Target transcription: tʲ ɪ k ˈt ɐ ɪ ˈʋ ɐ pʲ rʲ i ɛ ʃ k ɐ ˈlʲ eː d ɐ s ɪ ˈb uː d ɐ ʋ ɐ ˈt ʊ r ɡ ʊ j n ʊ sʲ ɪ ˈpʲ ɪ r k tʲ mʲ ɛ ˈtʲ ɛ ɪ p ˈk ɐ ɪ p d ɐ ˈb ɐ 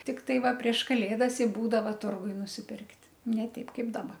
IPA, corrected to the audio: tʲ ɪ k ˈt ɐ ɪ ˈʋ ɐ pʲ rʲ i ɛ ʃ k ɐ ˈlʲ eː d ɐ s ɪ ˈb uː d ɐ ʋ ɐ ˈt ʊ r ɡ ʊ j n ʊ sʲ ɪ ˈpʲ ɪ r k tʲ nʲ ɛ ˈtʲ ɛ ɪ p ˈk ɐ ɪ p d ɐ ˈb ɐ